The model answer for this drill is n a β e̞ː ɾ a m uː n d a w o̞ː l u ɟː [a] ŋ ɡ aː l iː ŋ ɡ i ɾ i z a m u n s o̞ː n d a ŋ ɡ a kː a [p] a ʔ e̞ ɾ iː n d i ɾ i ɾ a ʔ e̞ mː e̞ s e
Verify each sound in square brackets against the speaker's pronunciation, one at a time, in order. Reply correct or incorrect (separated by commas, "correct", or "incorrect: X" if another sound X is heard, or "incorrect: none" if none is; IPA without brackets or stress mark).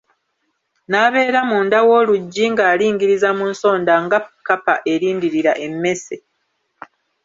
incorrect: i, correct